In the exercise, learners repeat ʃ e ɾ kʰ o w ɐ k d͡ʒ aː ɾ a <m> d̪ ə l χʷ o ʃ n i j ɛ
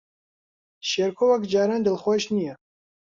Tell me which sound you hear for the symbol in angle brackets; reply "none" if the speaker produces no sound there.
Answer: n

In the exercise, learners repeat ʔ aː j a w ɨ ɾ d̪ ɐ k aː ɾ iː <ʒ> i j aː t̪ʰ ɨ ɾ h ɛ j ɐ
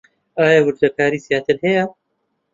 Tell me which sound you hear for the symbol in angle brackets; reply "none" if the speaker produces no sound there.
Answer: z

